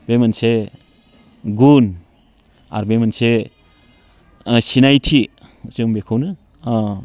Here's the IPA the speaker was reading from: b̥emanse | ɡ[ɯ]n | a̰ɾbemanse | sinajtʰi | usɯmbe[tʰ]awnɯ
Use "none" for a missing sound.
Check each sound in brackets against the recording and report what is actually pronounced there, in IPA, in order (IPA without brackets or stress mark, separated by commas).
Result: u, kʰ